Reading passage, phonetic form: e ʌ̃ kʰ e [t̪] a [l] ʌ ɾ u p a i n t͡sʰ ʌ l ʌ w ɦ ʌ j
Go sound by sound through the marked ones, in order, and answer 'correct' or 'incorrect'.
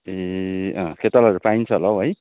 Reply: correct, correct

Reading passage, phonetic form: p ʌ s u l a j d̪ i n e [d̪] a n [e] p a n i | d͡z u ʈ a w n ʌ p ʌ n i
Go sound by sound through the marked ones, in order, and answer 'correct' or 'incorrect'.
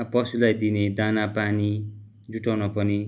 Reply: correct, incorrect

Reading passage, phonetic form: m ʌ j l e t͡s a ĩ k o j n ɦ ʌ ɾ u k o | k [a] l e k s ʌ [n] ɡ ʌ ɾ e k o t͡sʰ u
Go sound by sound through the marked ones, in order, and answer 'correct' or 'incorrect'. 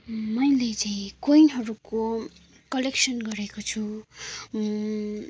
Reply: incorrect, correct

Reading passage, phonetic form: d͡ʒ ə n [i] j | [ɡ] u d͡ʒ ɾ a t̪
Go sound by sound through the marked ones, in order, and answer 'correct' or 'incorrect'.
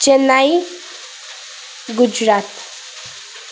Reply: incorrect, correct

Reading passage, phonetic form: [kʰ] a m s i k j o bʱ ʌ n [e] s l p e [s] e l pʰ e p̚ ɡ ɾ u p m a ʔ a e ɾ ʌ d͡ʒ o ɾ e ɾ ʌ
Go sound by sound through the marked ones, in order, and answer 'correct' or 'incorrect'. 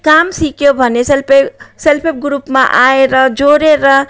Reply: incorrect, correct, correct

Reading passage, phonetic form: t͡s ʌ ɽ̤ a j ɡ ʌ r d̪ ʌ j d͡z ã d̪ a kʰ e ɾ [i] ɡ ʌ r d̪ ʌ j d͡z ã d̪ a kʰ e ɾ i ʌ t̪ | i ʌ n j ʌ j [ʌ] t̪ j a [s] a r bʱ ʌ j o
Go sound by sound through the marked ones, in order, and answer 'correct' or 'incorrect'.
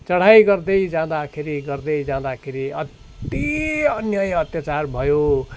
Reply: correct, correct, incorrect

